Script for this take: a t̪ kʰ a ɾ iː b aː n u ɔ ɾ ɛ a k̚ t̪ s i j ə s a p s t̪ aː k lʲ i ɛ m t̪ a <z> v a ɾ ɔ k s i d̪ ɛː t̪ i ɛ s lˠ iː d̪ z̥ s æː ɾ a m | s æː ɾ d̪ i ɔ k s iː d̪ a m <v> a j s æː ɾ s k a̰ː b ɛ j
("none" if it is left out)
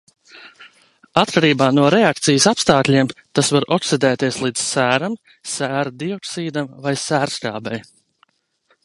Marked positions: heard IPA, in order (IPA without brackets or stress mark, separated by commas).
s, v